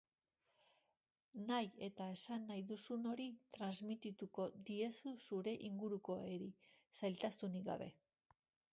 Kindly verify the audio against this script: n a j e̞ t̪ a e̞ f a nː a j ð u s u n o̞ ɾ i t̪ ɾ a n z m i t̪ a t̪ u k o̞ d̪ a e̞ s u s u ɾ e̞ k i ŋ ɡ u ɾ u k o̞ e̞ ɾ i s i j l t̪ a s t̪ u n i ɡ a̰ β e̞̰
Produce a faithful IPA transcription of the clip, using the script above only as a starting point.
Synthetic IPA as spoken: n a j e̞ t̪ a e̞ s a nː a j ð u s u n o̞ ɾ i t̪ ɾ a n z m i t̪ i t̪ u k o̞ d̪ i e̞ s u s u ɾ e̞ ʔ i ŋ ɡ u ɾ u k o̞ e̞ ɾ i s a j l t̪ a s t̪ u n i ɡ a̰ β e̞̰